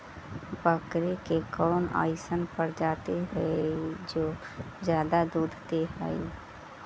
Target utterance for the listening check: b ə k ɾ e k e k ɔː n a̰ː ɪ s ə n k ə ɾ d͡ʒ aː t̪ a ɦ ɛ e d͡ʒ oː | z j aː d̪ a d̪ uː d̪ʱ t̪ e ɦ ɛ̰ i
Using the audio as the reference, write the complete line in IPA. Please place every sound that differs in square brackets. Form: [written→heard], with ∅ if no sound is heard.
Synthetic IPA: b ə k ɾ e k e k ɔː n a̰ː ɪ s ə n [k→p] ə ɾ d͡ʒ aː t̪ [a→e] ɦ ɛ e d͡ʒ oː | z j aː d̪ a d̪ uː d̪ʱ t̪ e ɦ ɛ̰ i